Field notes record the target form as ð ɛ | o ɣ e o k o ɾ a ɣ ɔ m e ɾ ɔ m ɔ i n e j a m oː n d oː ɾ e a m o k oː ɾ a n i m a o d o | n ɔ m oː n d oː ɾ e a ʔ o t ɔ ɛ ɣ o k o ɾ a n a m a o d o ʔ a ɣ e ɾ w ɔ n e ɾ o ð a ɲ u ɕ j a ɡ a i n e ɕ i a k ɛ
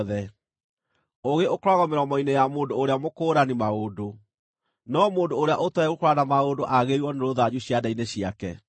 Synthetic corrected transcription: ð ɛ | o ɣ e o k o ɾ a ɣ ɔ m e ɾ ɔ m ɔ i n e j a m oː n d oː ɾ e a m o k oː ɾ a n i m a o d o | n ɔ m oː n d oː ɾ e a ʔ o t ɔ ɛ ɣ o k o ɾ a n a m a o d o ʔ a ɣ e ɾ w ɔ n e ɾ o ð a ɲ u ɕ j a d a i n e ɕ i a k ɛ